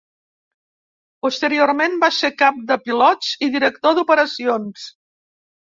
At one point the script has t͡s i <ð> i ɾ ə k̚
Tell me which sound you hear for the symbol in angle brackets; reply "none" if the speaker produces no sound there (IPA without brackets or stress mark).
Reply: ð